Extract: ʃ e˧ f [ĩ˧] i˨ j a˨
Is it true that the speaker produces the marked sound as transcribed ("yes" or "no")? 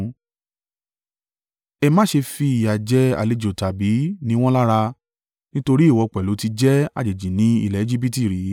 no